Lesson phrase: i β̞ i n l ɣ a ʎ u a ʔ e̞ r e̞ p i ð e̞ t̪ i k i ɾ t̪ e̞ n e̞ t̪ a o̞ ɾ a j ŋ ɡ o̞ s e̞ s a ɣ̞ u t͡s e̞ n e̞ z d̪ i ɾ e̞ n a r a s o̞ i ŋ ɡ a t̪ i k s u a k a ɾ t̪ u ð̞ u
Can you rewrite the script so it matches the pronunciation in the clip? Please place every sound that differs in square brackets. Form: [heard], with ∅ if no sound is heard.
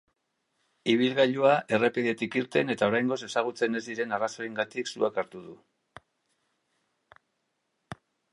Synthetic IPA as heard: i β̞ i [∅] l ɣ a ʎ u a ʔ e̞ r e̞ p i ð e̞ t̪ i k i ɾ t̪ e̞ n e̞ t̪ a o̞ ɾ a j ŋ ɡ o̞ s e̞ s a ɣ̞ u t͡s e̞ n e̞ z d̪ i ɾ e̞ n a r a s o̞ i ŋ ɡ a t̪ i k s u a k a ɾ t̪ u ð̞ u